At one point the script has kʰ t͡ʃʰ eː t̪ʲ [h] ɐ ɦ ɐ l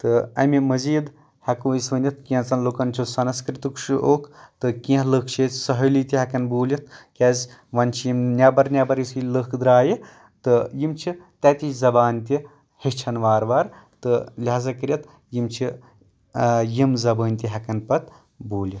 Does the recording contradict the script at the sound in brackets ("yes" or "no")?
yes